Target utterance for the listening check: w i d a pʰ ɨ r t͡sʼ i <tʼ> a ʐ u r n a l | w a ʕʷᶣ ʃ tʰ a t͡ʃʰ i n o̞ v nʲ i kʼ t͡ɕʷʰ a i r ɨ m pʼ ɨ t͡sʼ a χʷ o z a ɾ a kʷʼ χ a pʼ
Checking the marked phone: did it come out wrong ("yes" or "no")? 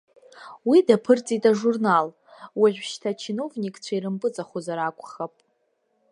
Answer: no